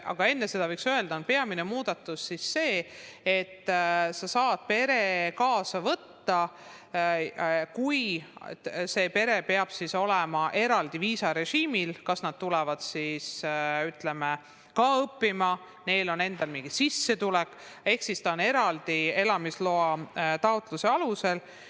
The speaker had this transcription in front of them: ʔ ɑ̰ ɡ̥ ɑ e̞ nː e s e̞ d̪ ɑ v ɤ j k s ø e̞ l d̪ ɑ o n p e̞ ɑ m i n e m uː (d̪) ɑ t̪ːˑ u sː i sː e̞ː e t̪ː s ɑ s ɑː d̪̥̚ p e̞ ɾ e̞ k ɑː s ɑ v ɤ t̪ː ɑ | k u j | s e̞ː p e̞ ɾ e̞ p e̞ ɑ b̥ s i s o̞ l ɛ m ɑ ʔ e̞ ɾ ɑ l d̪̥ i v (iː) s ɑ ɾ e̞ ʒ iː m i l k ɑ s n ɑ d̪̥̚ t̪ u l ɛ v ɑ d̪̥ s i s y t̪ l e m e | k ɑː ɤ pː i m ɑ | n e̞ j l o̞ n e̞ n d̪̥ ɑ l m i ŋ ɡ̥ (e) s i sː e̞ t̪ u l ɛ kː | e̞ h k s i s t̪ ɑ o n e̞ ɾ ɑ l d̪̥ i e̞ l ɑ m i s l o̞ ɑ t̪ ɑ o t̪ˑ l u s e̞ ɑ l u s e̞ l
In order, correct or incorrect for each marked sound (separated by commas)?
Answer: correct, correct, incorrect